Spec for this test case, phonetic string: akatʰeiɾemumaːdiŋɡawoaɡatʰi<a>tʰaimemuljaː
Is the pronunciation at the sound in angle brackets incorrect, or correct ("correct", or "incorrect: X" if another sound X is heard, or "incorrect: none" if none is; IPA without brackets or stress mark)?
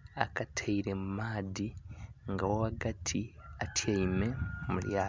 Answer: correct